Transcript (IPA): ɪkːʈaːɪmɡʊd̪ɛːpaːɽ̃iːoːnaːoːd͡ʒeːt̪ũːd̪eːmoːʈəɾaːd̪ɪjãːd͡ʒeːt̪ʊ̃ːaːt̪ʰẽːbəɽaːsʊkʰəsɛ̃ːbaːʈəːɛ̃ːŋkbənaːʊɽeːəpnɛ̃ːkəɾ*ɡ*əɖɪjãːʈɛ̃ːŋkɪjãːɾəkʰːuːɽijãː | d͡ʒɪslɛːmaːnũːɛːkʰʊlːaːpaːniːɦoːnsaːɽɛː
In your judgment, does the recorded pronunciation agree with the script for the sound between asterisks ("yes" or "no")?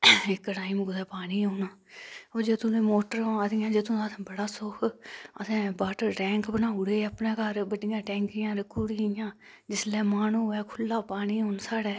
no